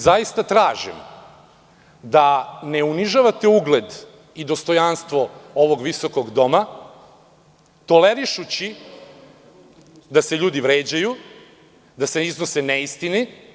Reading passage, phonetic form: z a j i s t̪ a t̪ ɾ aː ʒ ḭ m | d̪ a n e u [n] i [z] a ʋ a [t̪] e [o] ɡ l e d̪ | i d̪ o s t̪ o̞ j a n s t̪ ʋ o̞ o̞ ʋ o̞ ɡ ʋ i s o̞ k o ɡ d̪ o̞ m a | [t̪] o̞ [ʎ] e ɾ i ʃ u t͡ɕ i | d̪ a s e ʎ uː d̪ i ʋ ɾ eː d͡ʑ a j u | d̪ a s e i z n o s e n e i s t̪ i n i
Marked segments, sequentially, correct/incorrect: correct, incorrect: ʒ, correct, incorrect: u, correct, incorrect: l

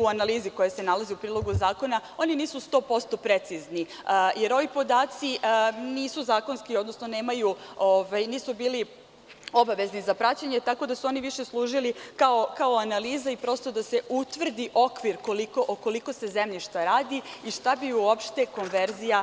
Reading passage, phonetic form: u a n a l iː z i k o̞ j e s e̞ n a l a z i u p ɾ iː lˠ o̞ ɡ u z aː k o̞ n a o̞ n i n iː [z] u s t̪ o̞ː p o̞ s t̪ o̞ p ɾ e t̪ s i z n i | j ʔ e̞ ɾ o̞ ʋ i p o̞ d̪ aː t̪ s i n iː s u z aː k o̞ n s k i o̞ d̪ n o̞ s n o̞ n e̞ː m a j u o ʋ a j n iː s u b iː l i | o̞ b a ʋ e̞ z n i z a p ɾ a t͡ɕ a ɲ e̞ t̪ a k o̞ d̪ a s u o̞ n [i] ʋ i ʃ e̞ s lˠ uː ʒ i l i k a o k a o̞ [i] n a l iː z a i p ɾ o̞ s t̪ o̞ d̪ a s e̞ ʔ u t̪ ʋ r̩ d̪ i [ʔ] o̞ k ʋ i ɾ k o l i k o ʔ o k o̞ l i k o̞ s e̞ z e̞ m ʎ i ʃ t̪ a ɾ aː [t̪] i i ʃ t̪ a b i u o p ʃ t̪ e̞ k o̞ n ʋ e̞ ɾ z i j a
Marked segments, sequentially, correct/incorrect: incorrect: s, correct, incorrect: a, correct, incorrect: d̪

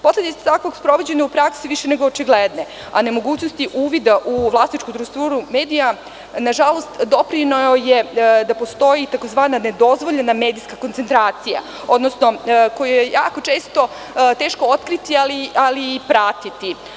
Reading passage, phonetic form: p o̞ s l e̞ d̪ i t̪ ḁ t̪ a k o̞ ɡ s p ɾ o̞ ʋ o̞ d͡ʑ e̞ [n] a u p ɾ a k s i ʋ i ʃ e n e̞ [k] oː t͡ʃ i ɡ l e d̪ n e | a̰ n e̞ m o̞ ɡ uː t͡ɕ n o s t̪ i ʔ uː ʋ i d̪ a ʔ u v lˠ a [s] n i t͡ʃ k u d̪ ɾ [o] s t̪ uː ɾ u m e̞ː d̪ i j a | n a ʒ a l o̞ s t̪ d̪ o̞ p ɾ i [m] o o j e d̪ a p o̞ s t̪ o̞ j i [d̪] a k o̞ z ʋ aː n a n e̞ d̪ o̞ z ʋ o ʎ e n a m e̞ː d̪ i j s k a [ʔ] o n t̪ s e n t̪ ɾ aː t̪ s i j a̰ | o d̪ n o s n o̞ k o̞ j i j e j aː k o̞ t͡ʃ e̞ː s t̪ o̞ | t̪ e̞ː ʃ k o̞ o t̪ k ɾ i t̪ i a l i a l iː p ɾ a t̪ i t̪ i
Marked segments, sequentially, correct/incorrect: incorrect: ɲ, incorrect: ɡ, correct, incorrect: u, incorrect: n, incorrect: t̪, incorrect: k

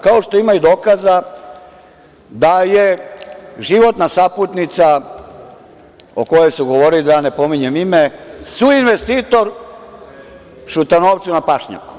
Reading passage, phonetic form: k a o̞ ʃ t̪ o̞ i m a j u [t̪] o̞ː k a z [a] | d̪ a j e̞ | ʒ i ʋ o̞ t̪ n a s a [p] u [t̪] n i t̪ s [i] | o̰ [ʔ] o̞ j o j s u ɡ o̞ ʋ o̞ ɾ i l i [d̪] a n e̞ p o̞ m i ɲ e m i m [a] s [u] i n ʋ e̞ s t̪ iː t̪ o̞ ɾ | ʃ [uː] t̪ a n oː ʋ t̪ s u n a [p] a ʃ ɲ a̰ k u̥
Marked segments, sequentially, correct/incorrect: incorrect: d̪, correct, correct, correct, incorrect: a, incorrect: k, correct, incorrect: e, correct, incorrect: u, correct

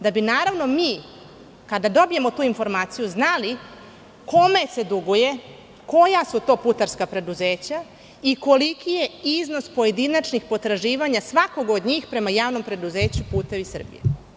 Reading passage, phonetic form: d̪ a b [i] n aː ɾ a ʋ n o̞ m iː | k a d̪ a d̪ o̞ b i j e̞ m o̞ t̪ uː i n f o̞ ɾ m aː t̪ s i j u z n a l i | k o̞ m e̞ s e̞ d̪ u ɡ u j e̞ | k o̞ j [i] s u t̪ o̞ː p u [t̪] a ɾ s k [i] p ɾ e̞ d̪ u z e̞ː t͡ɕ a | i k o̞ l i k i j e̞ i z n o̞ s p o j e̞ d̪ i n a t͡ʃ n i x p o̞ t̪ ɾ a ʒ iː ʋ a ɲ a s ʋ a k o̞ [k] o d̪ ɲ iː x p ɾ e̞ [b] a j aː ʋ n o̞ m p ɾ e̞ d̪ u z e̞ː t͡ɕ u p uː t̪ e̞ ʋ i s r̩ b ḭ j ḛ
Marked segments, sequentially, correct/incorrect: correct, incorrect: a, correct, incorrect: a, incorrect: ɡ, incorrect: m

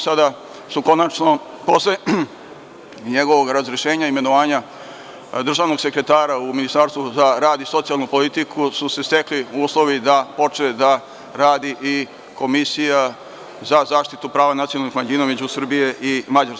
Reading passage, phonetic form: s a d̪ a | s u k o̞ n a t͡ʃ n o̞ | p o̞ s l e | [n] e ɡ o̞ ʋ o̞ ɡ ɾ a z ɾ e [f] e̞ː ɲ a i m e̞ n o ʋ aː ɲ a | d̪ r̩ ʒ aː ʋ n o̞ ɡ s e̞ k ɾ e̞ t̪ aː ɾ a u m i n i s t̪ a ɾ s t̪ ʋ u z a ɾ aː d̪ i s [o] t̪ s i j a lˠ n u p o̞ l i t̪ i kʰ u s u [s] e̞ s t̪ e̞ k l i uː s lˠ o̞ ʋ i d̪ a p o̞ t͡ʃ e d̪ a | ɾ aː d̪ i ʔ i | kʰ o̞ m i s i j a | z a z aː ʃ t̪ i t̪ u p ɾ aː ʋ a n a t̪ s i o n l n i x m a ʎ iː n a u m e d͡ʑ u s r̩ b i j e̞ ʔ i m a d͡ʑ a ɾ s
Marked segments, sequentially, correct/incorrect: incorrect: ɲ, incorrect: ʃ, correct, correct

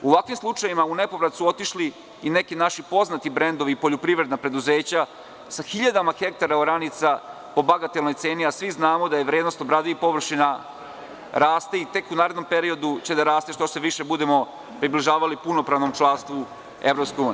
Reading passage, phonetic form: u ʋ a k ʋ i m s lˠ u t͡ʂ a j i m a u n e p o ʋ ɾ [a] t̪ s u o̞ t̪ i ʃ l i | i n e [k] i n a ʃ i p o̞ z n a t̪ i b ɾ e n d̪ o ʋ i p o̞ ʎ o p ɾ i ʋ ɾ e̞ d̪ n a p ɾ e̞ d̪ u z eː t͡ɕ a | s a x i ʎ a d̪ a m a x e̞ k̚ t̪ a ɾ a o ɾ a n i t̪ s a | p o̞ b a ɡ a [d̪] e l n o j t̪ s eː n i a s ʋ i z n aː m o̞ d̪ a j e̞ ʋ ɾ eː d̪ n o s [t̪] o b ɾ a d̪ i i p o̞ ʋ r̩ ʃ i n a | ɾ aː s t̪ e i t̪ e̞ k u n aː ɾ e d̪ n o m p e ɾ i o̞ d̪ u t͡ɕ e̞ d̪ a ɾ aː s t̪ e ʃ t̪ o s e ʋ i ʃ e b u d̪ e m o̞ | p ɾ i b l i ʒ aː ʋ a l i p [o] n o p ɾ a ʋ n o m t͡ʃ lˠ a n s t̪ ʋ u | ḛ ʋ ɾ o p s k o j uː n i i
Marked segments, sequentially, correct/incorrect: correct, correct, incorrect: t̪, correct, incorrect: u

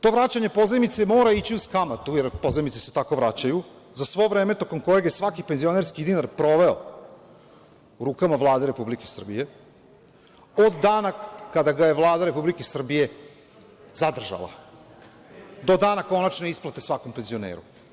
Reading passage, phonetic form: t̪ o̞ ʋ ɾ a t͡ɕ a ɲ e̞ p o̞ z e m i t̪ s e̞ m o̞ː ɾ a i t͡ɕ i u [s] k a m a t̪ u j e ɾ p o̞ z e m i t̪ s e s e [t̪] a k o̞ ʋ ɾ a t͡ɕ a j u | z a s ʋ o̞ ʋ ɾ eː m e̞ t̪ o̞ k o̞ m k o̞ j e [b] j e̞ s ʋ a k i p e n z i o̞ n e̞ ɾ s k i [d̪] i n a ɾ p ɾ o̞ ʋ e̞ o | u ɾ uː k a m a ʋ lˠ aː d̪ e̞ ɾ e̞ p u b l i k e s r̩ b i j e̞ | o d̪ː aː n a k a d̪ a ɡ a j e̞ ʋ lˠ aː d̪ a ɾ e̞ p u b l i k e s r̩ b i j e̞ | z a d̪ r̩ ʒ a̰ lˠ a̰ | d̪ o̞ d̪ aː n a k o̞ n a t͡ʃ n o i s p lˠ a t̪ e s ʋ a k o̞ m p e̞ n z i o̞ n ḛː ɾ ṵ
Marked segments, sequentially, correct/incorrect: correct, correct, incorrect: ɡ, correct

